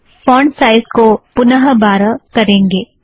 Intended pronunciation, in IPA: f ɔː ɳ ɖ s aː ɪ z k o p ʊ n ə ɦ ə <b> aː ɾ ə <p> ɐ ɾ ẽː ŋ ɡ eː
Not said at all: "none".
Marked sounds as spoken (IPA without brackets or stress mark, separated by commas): b, k